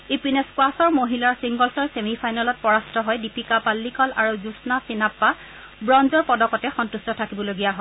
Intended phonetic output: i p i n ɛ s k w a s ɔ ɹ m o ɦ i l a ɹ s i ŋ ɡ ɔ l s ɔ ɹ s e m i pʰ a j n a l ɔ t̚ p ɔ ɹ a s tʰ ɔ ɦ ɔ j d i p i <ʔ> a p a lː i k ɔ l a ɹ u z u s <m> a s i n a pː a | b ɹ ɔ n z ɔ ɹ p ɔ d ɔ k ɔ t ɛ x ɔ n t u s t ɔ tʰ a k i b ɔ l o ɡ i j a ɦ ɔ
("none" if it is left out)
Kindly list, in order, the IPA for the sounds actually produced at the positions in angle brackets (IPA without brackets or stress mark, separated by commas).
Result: k, n